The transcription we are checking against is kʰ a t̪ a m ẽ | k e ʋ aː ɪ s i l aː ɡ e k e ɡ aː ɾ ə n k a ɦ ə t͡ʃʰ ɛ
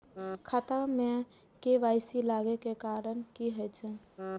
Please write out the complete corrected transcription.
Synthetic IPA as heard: kʰ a t̪ a m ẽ | k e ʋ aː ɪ s i l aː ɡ e k e k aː ɾ ə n k i ɦ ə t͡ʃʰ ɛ